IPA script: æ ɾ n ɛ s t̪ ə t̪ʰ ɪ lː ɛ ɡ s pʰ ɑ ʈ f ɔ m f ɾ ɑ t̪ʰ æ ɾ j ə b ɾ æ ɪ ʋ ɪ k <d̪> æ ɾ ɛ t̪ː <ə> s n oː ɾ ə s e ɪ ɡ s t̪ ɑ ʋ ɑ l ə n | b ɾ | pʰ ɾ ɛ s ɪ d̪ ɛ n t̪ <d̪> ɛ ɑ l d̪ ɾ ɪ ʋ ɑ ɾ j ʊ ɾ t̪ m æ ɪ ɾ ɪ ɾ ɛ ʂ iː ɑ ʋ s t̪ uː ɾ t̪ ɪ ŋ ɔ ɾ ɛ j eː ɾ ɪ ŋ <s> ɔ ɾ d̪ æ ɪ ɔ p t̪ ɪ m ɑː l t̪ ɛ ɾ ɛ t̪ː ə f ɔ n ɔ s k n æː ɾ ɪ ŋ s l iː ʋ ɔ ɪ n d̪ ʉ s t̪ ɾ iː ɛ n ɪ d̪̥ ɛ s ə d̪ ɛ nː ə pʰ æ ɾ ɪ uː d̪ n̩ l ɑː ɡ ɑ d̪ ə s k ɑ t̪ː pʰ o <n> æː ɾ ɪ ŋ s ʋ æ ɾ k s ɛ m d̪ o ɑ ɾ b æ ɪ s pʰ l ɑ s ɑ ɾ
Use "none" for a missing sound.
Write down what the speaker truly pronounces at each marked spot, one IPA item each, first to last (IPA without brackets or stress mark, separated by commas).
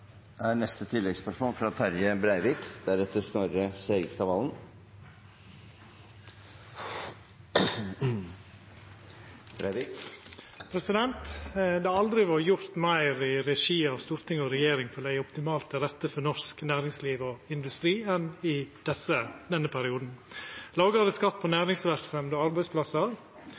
d̪, ə, d̪, f, n